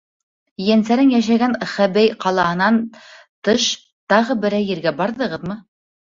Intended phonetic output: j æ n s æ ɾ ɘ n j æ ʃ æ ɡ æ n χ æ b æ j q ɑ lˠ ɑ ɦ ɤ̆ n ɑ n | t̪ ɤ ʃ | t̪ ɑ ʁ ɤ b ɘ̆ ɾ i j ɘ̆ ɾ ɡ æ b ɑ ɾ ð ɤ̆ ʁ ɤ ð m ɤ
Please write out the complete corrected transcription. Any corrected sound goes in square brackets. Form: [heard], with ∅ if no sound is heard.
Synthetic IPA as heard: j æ n s æ ɾ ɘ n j æ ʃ æ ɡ æ n χ æ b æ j q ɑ lˠ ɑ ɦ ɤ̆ n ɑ n | t̪ ɤ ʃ | t̪ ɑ ʁ ɤ b ɘ̆ ɾ [æ] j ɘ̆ ɾ ɡ æ b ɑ ɾ ð ɤ̆ ʁ ɤ ð m ɤ